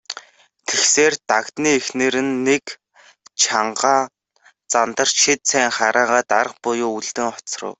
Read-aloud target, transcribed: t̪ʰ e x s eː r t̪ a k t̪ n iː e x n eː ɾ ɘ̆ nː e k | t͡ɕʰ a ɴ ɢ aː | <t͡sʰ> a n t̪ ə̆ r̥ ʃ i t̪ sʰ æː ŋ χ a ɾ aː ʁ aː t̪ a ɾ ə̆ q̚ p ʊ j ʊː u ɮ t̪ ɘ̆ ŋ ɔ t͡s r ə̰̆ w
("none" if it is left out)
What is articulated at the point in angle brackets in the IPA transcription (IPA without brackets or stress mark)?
t͡s